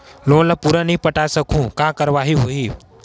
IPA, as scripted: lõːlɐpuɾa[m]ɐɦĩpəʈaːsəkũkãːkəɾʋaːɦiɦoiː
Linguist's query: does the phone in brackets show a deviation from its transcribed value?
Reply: yes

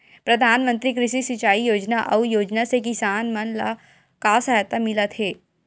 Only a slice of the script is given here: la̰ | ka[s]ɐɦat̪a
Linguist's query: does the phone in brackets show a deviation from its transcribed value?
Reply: no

